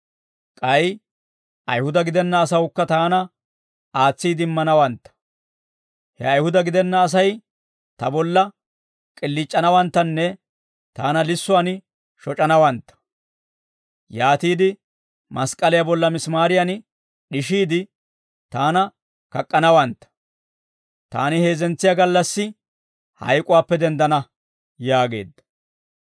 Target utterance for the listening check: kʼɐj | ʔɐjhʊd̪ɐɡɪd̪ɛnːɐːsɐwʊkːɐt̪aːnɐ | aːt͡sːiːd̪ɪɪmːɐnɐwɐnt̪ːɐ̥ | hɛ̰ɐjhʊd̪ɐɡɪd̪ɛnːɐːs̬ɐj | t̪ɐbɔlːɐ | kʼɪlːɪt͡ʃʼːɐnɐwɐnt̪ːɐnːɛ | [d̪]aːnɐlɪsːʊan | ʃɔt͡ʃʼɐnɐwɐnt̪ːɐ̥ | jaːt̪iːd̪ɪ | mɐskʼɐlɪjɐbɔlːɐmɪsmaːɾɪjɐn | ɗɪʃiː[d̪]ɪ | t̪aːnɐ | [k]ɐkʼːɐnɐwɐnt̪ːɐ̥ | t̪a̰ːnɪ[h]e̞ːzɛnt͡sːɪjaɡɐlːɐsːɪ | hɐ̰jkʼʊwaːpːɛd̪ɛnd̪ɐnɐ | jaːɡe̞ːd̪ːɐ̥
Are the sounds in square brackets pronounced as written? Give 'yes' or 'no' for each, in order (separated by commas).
no, yes, yes, yes